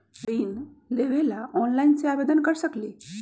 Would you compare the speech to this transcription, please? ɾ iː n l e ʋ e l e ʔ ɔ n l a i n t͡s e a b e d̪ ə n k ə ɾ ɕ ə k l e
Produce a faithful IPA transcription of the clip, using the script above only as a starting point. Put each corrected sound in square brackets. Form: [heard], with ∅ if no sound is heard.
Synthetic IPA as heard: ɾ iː n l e ʋ e l [a] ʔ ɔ n l a i n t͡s e a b e d̪ ə n k ə ɾ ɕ ə k l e